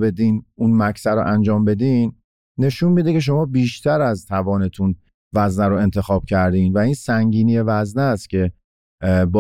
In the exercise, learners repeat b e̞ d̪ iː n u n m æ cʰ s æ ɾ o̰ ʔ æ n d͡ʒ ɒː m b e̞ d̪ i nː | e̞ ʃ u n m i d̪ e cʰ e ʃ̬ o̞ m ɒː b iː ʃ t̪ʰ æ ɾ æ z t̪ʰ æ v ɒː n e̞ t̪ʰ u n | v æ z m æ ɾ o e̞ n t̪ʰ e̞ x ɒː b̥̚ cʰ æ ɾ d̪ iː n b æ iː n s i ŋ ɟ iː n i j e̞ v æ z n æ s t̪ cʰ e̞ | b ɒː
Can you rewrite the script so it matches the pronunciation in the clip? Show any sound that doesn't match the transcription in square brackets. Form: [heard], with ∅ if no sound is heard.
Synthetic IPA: b e̞ d̪ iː n u n m æ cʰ s æ ɾ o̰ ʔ æ n d͡ʒ ɒː m b e̞ d̪ i nː | e̞ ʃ u n m i d̪ e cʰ e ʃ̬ o̞ m ɒː b iː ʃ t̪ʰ æ ɾ æ z t̪ʰ æ v ɒː n e̞ t̪ʰ u n | v æ z [n] æ ɾ o e̞ n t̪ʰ e̞ x ɒː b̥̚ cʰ æ ɾ d̪ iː n [v] æ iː n s [æ] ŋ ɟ iː n i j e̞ v æ z n æ s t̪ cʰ e̞ | b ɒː